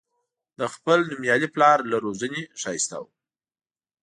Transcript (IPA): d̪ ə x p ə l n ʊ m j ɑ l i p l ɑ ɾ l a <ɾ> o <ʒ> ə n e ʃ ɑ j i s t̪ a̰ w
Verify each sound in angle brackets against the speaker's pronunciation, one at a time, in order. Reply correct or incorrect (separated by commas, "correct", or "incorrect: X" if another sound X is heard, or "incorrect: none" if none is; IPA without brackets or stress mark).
correct, incorrect: z